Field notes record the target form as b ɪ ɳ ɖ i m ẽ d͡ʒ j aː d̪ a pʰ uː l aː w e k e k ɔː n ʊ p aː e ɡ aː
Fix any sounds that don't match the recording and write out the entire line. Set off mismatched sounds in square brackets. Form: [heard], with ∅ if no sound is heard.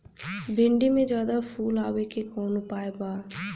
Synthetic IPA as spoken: b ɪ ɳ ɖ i m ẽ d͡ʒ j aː d̪ a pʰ uː l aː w e k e k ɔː n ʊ p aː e [b] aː